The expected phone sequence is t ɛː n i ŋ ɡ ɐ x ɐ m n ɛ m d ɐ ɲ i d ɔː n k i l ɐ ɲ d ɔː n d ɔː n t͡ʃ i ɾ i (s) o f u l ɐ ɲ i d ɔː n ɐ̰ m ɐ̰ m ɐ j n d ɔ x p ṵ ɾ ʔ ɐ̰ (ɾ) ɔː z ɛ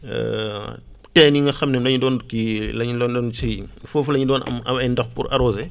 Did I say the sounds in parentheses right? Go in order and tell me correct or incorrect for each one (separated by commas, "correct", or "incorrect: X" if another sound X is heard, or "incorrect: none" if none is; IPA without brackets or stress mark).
incorrect: f, correct